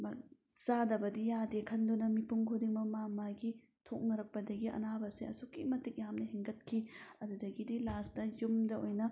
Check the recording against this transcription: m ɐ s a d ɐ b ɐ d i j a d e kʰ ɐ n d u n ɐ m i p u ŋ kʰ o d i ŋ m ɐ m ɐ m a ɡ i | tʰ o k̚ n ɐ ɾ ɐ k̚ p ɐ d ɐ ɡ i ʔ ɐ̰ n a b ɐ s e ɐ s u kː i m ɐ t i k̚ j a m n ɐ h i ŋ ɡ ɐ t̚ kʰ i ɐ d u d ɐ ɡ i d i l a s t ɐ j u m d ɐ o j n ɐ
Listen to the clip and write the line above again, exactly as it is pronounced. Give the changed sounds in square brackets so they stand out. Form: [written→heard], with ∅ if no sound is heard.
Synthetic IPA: m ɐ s a d ɐ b ɐ d i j a d e kʰ ɐ n d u n ɐ m i p u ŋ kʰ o d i ŋ m ɐ m [ɐ→a] m a ɡ i | tʰ o k̚ n ɐ ɾ ɐ k̚ p ɐ d ɐ ɡ i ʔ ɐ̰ n a b ɐ s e ɐ s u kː i m ɐ t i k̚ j a m n ɐ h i ŋ ɡ ɐ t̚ kʰ i ɐ d u d ɐ ɡ i d i l a s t ɐ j u m d ɐ o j n ɐ